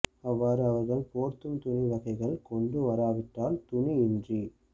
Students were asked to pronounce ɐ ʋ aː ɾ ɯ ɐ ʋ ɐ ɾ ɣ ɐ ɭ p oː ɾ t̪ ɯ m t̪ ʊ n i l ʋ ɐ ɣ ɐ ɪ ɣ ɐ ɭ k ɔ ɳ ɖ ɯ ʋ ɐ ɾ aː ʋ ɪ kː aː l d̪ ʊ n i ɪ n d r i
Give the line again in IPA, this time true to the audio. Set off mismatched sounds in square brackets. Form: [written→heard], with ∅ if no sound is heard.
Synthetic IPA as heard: ɐ [ʋ→ʋː] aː ɾ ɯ ɐ ʋ ɐ ɾ ɣ ɐ ɭ p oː ɾ t̪ ɯ m t̪ ʊ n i [l→∅] ʋ ɐ ɣ ɐ ɪ ɣ ɐ ɭ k ɔ ɳ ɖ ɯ ʋ ɐ ɾ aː ʋ ɪ [kː→ʈː] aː l [d̪→t̪] ʊ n i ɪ n d r i